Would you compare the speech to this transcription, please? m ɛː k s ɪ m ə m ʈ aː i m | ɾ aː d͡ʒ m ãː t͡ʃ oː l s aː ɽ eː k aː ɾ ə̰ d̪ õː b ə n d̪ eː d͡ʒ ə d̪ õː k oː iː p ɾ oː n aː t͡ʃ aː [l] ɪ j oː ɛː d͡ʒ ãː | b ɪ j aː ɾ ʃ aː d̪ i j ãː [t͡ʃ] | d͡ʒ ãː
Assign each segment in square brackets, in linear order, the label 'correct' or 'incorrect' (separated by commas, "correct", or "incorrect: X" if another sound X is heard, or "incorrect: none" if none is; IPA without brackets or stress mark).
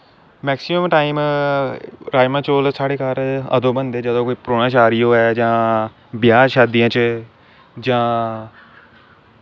incorrect: ɾ, correct